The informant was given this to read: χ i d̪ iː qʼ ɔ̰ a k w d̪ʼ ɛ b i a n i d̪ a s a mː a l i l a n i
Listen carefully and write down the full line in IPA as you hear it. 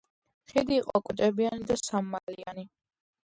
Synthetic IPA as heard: χ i d̪ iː qʼ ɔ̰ a kʼ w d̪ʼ ɛ b i a n i d̪ a s a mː a l i a n i

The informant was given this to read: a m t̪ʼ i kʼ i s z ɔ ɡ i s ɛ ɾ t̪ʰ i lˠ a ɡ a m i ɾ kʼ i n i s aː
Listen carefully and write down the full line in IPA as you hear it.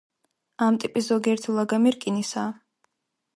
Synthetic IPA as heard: a m t̪ʼ i pʼ i s z ɔ ɡ i ɛ ɾ t̪ʰ i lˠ a ɡ a m i ɾ kʼ i n i s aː

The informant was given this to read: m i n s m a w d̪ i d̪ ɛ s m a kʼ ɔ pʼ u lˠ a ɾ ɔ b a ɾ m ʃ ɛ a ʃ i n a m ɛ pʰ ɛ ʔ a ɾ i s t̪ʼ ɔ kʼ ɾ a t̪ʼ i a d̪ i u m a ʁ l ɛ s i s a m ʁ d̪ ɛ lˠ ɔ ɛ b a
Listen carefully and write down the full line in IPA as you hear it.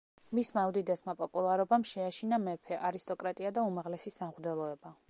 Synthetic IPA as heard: m i s m a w d̪ i d̪ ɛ s m a pʼ ɔ pʼ u lˠ a ɾ ɔ b a m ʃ ɛ a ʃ i n a m ɛ pʰ ɛ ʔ a ɾ i s t̪ʼ ɔ kʼ ɾ a t̪ʼ i a d̪ a u m a ʁ l ɛ s i s a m ʁ d̪ ɛ lˠ ɔ ɛ b a

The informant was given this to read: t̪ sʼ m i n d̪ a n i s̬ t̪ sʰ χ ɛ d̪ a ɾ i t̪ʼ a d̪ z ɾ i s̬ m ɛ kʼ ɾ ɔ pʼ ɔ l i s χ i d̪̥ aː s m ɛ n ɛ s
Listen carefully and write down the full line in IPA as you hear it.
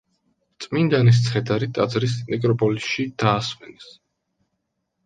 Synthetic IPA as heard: t̪ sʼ m i n d̪ a n i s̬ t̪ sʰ χ ɛ d̪ a ɾ i t̪ʼ a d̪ z ɾ i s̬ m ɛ kʼ ɾ ɔ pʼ ɔ l i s ʃ i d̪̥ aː s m ɛ n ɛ s

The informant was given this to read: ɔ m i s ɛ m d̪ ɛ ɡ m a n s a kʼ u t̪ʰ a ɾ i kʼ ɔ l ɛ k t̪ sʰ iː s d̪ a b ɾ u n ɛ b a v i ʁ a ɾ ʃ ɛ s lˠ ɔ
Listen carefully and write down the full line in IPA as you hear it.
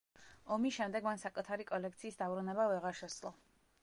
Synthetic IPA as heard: ɔ m i ʃ ɛ m d̪ ɛ ɡ m a n s a kʼ u t̪ʰ a ɾ i kʼ ɔ l ɛ k t̪ sʰ iː s d̪ a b ɾ u n ɛ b a v ɛ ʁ a ɾ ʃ ɛ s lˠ ɔ

